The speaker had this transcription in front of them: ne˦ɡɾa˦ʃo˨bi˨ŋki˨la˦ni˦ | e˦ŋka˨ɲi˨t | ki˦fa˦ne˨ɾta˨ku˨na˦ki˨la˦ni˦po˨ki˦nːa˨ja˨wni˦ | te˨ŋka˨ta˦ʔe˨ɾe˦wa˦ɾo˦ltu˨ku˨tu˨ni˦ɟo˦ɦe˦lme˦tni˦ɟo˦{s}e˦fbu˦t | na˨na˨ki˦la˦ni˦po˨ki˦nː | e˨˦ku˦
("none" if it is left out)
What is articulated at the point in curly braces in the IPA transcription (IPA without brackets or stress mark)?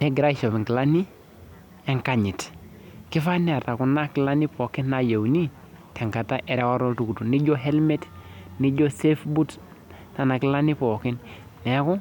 s